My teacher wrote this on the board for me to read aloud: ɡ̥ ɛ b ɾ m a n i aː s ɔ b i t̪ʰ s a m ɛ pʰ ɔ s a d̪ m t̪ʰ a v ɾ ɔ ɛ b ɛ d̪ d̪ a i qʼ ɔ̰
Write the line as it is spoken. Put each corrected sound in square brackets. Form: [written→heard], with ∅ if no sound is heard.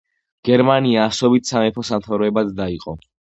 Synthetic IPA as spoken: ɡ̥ ɛ [b→∅] ɾ m a n i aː s ɔ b i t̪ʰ s a m ɛ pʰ ɔ s a [d̪→∅] m t̪ʰ a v ɾ ɔ ɛ b [ɛ→a] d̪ d̪ a i qʼ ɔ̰